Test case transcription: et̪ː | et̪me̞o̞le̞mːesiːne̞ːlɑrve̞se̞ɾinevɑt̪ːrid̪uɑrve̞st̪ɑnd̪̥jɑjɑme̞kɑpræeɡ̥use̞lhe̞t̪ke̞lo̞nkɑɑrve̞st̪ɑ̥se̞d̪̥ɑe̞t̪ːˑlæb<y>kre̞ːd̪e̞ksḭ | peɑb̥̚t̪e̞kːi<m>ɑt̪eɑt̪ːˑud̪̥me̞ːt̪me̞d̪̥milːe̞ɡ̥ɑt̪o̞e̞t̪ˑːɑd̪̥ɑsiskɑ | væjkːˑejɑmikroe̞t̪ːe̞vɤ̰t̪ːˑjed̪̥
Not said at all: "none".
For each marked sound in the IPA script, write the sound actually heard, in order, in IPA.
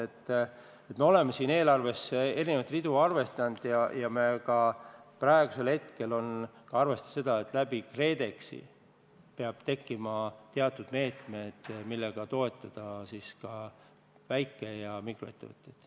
i, m

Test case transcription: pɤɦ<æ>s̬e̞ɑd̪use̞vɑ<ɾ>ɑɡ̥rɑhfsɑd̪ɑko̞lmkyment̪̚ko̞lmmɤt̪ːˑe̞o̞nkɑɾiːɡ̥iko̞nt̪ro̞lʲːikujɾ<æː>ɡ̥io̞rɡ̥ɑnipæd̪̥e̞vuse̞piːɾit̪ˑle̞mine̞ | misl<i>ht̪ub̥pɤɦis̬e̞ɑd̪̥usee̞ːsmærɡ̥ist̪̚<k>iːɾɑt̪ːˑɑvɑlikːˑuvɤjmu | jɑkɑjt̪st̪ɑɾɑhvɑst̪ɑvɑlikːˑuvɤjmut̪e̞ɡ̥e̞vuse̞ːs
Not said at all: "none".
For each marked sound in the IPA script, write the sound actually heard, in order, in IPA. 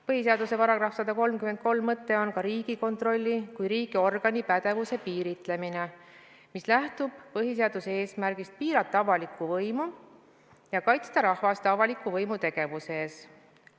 i, ɾ, iː, æ, p

